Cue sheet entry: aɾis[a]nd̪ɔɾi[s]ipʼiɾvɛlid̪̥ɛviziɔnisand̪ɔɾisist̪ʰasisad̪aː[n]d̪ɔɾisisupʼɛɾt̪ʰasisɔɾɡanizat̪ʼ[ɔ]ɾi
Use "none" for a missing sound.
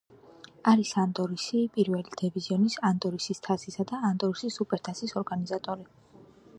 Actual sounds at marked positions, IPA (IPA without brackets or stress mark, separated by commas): a, s, n, ɔ